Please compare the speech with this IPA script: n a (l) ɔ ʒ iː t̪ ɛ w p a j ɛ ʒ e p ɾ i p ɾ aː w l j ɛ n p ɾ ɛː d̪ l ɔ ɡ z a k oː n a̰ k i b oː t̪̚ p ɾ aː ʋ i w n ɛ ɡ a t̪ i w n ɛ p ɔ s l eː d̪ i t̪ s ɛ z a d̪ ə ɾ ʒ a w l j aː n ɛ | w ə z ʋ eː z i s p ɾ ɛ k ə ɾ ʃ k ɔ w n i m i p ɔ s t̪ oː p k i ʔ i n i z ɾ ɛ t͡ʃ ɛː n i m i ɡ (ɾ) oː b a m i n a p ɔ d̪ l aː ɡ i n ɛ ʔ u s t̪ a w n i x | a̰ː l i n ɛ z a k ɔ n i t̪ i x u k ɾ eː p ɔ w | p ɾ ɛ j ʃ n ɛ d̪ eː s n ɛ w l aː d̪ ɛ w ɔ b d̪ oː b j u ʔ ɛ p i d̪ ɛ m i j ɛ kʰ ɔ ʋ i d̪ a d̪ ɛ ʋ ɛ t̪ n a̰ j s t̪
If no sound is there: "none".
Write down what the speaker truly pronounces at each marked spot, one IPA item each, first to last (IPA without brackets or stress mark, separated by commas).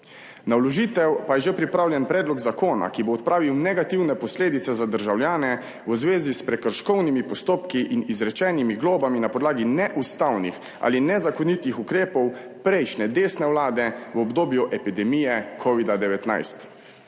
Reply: l, l